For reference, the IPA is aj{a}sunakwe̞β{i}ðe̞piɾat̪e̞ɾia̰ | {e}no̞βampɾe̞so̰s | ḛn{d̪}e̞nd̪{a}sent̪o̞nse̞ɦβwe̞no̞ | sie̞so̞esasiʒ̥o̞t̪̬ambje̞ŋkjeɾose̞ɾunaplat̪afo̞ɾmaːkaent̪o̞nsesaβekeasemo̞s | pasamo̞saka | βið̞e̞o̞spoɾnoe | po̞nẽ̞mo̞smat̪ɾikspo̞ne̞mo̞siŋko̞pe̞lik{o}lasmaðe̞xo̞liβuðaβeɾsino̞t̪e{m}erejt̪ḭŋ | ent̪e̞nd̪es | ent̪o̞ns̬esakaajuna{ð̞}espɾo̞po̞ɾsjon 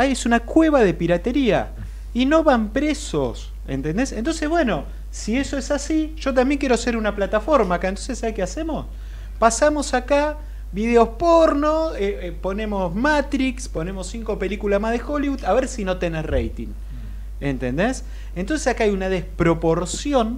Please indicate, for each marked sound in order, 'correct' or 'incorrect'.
incorrect: e, incorrect: a, incorrect: i, incorrect: t̪, incorrect: e, incorrect: u, incorrect: n, correct

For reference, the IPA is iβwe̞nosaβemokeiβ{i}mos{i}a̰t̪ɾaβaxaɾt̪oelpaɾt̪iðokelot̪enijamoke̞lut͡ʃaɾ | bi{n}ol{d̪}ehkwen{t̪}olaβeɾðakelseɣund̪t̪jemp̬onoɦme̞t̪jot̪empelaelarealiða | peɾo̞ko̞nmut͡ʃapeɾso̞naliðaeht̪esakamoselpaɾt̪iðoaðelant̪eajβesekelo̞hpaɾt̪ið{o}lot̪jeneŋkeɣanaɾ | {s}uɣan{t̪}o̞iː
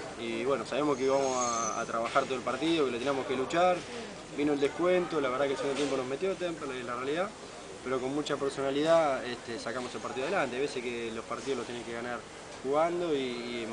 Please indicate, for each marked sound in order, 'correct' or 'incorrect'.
incorrect: a, incorrect: a, correct, correct, correct, correct, incorrect: x, incorrect: d̪

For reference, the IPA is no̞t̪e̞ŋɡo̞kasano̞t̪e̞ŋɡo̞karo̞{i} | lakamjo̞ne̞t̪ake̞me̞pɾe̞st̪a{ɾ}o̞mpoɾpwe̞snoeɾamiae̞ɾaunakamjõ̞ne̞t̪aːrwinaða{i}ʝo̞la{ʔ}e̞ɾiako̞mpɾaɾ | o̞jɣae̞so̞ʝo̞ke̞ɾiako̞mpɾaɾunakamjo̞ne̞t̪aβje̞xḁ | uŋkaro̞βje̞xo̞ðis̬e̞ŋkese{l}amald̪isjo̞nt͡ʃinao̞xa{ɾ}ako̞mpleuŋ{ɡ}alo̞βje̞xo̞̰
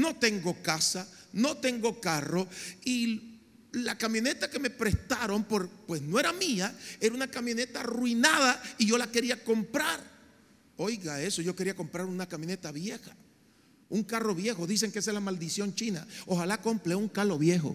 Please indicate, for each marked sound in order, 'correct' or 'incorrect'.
correct, correct, correct, incorrect: k, correct, incorrect: l, incorrect: k

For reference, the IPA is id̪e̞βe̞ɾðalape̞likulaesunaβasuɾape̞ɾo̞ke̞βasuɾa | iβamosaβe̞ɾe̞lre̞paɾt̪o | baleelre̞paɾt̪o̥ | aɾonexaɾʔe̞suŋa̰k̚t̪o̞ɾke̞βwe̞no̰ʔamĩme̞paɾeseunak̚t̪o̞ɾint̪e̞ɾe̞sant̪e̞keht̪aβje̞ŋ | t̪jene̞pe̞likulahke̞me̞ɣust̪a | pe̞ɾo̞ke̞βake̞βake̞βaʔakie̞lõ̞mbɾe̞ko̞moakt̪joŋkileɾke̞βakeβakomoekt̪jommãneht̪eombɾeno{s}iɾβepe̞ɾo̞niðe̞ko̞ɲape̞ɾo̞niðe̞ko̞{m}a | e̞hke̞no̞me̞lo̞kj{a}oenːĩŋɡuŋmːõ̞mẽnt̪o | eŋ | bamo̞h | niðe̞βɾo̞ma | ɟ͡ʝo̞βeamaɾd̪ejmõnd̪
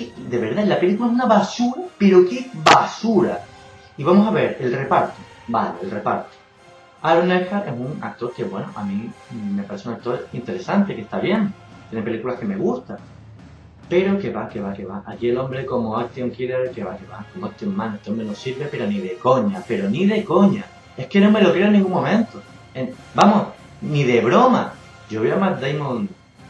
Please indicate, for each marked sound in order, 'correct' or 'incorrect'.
correct, incorrect: ɲ, incorrect: e

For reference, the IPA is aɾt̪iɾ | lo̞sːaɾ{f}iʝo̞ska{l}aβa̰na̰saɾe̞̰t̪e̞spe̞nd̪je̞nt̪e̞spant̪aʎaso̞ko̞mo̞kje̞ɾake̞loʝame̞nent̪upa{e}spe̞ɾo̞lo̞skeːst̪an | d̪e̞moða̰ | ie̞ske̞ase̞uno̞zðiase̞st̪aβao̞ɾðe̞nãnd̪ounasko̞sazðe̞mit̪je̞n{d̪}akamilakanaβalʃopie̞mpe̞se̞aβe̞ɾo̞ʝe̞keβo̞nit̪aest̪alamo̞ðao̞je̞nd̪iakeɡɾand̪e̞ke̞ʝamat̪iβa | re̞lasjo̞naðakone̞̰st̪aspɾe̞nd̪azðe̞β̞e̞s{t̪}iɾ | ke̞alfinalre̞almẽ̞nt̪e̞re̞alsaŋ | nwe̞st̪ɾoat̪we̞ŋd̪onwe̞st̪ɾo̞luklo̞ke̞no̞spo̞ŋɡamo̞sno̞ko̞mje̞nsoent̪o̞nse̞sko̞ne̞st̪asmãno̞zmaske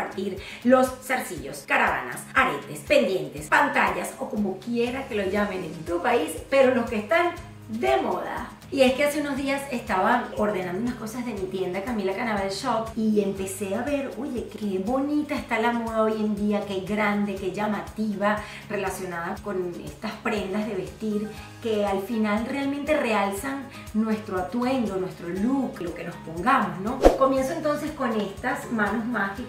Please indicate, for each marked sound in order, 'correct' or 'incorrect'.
incorrect: s, incorrect: ɾ, incorrect: i, correct, correct

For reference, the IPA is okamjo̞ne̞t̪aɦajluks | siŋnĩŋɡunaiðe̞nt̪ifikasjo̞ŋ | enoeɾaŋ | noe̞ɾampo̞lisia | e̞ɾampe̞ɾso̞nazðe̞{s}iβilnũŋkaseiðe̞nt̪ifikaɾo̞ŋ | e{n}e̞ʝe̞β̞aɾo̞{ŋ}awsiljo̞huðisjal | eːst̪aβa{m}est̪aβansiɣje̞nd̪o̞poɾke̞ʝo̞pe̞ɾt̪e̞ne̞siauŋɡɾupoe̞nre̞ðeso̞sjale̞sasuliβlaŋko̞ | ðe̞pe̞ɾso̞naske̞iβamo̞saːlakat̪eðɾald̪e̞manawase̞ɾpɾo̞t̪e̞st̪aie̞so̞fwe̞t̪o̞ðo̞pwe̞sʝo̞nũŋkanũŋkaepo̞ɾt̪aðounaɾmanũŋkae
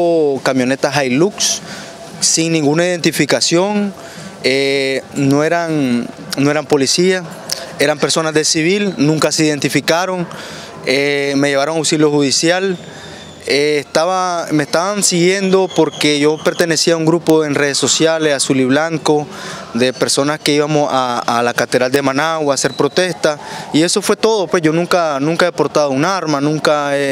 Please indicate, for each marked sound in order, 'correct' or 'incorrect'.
correct, incorrect: m, correct, correct

